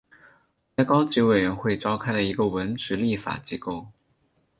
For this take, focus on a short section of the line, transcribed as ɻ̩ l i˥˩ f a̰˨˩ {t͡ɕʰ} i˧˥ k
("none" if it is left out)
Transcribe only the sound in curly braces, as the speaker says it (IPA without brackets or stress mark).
t͡ɕ